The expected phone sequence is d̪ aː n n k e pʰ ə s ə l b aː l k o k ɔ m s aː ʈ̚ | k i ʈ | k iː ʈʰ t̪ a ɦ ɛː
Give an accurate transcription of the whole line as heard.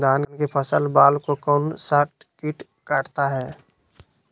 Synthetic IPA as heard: d̪ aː n n k e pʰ ə s ə l b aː l k o k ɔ n s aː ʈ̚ | k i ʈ | k aː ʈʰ t̪ a ɦ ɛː